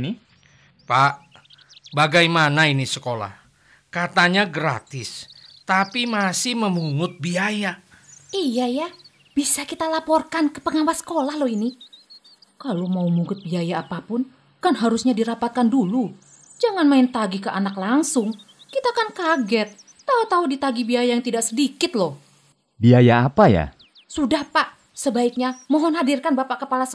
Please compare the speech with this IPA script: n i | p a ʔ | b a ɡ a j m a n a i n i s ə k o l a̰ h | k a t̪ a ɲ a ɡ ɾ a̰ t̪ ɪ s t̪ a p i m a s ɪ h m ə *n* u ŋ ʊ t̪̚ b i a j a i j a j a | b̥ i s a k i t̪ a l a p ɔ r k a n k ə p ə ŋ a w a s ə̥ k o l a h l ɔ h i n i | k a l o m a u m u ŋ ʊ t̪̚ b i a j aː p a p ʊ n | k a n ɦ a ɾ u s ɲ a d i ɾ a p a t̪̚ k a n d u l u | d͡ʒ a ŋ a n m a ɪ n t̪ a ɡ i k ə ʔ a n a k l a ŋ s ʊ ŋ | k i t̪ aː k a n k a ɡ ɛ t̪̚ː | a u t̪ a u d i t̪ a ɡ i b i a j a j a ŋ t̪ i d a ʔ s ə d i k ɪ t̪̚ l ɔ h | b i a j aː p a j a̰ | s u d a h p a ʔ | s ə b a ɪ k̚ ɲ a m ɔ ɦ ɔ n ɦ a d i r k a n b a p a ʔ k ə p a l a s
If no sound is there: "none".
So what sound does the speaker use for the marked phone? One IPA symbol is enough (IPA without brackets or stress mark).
m